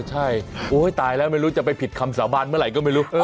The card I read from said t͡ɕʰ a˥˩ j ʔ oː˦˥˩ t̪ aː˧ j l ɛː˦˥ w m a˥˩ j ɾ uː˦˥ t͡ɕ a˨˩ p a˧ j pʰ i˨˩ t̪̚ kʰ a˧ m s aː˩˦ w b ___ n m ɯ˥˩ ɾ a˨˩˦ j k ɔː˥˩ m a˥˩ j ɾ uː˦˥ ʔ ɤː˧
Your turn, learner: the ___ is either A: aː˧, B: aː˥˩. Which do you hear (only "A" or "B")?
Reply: A